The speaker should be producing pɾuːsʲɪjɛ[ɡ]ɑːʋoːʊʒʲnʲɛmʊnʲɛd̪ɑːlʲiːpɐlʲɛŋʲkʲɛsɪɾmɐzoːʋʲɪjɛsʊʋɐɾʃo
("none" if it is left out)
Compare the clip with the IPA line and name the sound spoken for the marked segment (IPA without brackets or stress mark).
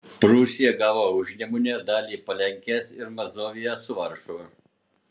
ɡ